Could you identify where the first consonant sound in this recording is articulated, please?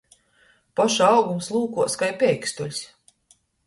labial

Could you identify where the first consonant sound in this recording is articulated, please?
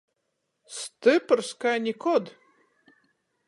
alveolar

